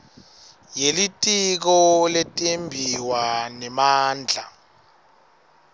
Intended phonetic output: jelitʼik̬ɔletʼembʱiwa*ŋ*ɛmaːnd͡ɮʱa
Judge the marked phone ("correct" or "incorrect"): incorrect